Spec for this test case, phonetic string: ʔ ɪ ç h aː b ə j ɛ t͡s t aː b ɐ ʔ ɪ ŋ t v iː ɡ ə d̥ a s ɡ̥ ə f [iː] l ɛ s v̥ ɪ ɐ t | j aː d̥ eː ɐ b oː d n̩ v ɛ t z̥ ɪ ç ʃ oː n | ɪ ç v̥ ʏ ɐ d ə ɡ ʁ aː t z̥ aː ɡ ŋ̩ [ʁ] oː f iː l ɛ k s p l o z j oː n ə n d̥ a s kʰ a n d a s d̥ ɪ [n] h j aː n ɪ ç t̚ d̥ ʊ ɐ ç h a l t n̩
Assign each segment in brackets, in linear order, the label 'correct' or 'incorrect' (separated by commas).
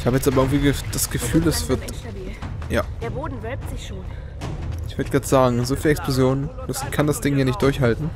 incorrect, incorrect, incorrect